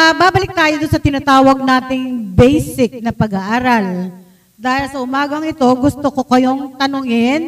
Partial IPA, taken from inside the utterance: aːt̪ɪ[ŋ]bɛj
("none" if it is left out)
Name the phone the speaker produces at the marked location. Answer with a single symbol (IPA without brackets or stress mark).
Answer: ŋ